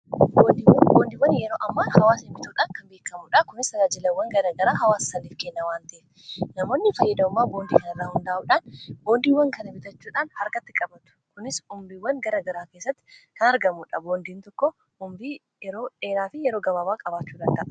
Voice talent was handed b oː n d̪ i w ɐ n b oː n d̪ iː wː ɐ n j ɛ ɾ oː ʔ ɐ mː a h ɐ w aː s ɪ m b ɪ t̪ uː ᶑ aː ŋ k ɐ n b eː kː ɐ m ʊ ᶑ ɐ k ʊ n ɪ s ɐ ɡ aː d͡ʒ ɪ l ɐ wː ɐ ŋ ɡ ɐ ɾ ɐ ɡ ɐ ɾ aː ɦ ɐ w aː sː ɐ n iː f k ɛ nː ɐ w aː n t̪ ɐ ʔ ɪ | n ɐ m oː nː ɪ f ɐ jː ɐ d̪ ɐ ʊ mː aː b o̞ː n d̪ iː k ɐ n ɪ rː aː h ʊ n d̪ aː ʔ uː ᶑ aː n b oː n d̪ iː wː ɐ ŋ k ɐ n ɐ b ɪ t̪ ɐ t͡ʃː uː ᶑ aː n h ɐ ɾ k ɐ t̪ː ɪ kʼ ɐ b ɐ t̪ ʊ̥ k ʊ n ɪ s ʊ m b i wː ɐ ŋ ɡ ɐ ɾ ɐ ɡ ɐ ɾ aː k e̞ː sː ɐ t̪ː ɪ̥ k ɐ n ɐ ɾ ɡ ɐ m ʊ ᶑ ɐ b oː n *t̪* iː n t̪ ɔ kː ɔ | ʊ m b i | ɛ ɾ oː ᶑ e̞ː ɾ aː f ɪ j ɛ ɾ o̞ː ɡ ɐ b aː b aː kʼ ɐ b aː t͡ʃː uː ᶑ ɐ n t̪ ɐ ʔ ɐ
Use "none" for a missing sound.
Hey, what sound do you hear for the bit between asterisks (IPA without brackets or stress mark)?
d̪